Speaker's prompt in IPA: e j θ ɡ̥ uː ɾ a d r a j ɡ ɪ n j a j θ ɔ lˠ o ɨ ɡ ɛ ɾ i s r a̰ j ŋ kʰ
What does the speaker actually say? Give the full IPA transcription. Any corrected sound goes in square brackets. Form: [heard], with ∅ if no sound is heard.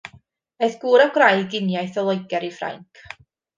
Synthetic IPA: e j θ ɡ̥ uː ɾ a [ɡ] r a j ɡ ɪ n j a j θ ɔ lˠ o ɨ ɡ ɛ ɾ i [f] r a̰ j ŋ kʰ